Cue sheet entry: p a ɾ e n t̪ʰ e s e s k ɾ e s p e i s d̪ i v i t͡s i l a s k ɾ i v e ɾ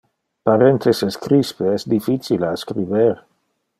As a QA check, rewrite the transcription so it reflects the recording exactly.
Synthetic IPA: p a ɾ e n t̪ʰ e s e s k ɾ i s p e ɛ s d̪ i f i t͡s i l a s k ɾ i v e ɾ